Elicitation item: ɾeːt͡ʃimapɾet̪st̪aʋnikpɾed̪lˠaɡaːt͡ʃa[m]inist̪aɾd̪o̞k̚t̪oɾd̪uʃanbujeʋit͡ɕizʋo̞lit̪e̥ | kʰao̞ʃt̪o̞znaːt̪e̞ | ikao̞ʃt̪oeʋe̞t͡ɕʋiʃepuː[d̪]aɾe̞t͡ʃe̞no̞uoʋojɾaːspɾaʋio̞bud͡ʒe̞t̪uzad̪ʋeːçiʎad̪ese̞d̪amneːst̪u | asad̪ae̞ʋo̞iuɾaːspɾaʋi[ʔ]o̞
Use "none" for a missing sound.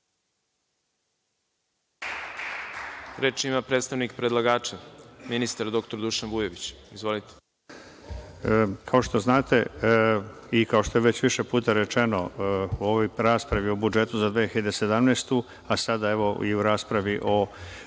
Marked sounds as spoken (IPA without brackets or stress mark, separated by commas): m, t̪, ʔ